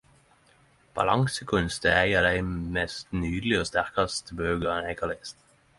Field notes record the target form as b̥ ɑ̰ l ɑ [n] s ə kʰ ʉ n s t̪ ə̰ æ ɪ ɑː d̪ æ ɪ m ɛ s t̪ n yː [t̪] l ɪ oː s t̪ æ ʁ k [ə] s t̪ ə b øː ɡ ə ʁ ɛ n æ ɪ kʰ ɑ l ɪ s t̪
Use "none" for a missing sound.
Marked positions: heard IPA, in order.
ŋ, d̪, ɑ

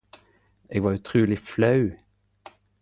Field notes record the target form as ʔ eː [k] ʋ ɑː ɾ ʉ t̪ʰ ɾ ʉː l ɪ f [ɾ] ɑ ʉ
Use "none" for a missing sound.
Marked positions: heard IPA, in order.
ɡ, l

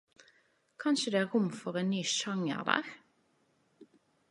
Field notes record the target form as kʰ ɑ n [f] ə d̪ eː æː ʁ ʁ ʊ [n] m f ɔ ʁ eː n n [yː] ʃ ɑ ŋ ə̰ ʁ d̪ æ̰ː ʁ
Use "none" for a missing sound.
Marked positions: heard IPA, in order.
ʃ, none, yː

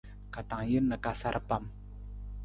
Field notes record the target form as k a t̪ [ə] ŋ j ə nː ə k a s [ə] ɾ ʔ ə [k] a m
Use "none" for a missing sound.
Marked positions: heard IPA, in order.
a, a, p

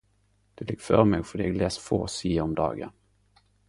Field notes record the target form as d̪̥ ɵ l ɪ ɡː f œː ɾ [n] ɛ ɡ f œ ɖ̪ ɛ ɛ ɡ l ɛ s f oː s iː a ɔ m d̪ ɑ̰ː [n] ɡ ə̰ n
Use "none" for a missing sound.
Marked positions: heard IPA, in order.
m, none

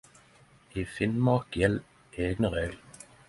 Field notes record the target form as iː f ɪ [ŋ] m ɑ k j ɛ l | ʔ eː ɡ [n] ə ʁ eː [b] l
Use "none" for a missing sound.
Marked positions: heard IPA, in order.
n, n, ɡ

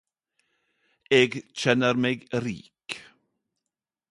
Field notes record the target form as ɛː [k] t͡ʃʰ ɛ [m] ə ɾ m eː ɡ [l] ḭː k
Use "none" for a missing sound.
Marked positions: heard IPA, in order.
ɡ, n, ɾ

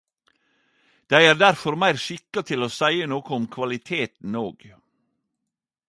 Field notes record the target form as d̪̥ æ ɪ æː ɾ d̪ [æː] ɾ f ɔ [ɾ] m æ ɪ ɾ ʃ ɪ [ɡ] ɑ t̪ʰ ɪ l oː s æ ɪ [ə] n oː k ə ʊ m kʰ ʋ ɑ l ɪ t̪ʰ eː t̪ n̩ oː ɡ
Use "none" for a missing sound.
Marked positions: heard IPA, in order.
æ, ɾ, k, ə

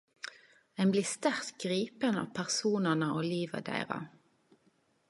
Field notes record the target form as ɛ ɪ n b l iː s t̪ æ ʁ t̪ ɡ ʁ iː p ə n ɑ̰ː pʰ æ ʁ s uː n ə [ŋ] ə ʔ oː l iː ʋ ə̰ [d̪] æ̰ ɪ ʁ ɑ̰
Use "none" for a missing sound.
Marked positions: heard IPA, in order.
n, d̪

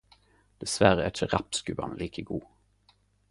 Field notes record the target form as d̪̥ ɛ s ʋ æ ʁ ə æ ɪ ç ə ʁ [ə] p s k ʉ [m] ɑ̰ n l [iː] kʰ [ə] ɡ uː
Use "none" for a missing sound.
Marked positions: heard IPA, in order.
ɑ, b, iː, ə

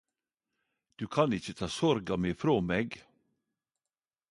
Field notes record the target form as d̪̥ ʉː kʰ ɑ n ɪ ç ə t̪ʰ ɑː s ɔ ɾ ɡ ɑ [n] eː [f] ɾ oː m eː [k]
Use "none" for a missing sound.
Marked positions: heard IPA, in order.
m, f, ɡ

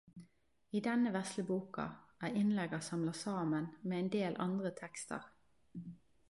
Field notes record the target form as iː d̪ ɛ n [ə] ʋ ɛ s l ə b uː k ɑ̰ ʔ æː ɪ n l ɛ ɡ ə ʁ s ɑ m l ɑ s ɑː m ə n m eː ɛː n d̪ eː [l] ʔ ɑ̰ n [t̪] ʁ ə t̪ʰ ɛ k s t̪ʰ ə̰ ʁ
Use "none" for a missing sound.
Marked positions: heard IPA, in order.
ə, l, d̪

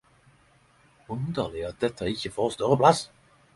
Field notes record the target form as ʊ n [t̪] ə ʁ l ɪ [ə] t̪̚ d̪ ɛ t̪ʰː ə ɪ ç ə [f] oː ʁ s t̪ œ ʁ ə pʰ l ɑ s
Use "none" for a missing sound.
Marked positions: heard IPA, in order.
d̪, ɑ, f

